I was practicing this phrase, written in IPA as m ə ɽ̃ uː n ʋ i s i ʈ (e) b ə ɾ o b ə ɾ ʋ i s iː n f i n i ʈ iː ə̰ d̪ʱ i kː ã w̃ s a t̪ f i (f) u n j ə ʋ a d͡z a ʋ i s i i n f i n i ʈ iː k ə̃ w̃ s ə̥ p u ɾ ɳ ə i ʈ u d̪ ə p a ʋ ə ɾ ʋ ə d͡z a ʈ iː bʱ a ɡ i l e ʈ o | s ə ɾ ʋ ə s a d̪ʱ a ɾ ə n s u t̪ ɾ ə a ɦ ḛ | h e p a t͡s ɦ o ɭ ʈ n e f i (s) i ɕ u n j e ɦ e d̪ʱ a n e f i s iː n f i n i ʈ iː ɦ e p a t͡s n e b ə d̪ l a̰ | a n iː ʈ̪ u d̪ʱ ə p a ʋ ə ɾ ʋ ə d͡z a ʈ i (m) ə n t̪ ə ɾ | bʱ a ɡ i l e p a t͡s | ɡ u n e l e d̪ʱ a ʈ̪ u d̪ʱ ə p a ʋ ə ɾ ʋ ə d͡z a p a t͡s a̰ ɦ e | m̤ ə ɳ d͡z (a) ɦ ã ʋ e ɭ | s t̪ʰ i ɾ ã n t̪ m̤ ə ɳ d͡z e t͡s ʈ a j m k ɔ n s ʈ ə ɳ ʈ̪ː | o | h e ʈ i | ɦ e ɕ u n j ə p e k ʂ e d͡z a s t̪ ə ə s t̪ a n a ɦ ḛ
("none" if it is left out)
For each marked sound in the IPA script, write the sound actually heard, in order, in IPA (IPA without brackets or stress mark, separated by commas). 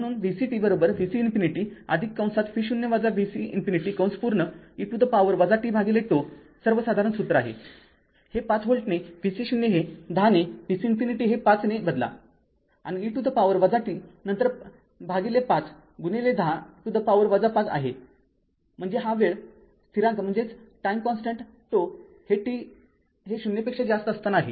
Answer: i, ɕ, s, n, e